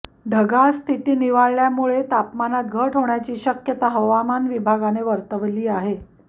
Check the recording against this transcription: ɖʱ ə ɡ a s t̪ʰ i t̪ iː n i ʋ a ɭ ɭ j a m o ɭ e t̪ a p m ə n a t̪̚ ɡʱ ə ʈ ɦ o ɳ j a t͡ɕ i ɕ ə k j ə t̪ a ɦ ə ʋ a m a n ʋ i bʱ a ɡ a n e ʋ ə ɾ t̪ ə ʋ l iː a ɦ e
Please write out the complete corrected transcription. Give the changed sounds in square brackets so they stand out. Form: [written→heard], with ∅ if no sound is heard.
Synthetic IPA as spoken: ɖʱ ə ɡ a s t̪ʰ i t̪ iː n i ʋ a ɭ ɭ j a m [o→u] ɭ e t̪ a p m [ə→a] n a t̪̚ ɡʱ ə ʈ ɦ o ɳ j a t͡ɕ [i→iː] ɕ ə k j ə t̪ a ɦ ə ʋ a m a n ʋ i bʱ a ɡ a n e ʋ ə ɾ t̪ ə ʋ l iː a ɦ e